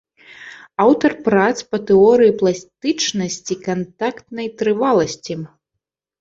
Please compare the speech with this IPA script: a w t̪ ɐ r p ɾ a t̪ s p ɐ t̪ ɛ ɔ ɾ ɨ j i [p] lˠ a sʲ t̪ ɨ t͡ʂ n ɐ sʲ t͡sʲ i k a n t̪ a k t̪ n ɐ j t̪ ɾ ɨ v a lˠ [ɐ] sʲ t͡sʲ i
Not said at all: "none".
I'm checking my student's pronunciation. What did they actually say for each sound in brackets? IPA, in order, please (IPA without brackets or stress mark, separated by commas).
p, ɐ